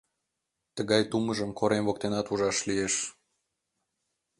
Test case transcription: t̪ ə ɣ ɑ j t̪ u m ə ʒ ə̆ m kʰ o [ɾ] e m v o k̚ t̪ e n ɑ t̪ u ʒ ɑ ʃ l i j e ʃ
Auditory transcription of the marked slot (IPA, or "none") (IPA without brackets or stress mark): ɾ